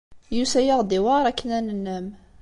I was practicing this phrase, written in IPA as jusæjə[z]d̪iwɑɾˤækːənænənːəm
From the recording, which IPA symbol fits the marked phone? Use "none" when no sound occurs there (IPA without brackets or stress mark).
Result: ʁ